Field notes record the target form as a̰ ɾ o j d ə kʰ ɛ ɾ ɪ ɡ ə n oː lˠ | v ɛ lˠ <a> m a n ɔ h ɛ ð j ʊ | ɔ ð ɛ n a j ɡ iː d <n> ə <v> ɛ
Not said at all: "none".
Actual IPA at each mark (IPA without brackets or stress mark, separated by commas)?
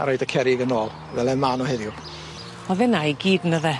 ɛ, n, ð